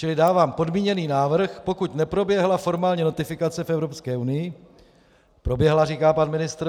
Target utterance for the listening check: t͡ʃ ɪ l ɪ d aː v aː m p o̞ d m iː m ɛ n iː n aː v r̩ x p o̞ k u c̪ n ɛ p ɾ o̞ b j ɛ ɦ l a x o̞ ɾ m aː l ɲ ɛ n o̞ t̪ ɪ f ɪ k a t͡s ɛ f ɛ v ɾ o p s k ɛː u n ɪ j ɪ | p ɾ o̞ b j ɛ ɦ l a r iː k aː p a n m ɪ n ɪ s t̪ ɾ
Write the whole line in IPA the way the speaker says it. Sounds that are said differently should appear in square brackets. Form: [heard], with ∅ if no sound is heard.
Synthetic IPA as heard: t͡ʃ ɪ l ɪ d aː v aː m p o̞ d m iː [ɲ] ɛ n iː n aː v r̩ x p o̞ k u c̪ n ɛ p ɾ o̞ b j ɛ ɦ l a [f] o̞ ɾ m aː l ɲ ɛ n o̞ t̪ ɪ f ɪ k a t͡s ɛ f ɛ v ɾ o p s k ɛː u n ɪ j ɪ | p ɾ o̞ b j ɛ ɦ l a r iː k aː p a n m ɪ n ɪ s t̪ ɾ